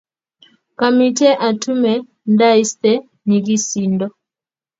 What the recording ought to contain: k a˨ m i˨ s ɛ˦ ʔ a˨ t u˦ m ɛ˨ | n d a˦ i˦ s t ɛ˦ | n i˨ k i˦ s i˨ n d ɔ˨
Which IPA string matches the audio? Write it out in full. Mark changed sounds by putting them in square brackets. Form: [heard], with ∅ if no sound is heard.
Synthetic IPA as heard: k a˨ m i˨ [t] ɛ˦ ʔ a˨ t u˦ m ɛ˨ | n d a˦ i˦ s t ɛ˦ | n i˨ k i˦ s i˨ n d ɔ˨

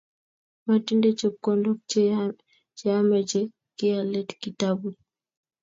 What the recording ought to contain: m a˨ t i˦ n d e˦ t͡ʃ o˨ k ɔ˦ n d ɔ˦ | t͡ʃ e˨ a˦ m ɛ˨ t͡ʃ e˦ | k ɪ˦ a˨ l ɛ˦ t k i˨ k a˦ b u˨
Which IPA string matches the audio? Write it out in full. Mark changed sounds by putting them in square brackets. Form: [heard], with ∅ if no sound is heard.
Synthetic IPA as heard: m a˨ t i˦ n d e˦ t͡ʃ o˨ k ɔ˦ n d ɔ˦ | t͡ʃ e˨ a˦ m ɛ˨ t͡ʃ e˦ | k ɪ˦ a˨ l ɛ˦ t k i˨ [t] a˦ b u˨

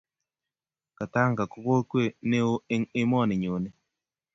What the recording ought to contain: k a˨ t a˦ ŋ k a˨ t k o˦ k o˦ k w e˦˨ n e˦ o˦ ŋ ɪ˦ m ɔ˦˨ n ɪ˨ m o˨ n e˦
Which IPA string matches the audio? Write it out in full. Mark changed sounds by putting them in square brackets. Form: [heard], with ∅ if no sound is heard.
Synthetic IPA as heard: k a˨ t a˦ ŋ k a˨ [∅] k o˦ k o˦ k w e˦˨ n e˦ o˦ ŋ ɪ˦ m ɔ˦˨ n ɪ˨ [ɲ] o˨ n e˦

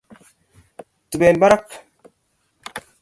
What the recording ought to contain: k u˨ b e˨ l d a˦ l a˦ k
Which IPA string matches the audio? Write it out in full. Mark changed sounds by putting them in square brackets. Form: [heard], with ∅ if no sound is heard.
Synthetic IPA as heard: [t] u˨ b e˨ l [b] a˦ [ɾ] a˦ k

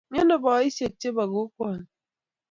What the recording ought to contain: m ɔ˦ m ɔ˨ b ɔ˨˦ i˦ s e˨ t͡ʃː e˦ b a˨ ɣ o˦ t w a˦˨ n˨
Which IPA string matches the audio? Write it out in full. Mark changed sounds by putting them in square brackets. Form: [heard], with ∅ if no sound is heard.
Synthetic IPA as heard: [ɲ] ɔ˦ [n] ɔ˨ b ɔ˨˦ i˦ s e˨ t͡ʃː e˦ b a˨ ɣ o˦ [k] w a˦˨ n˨

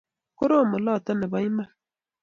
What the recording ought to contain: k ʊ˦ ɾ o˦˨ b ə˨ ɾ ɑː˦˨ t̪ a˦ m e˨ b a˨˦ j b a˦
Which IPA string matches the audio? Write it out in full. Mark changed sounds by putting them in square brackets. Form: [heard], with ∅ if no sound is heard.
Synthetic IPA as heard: k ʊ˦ ɾ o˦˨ [m] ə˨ [l] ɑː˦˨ t̪ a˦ [n] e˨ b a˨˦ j [m] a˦

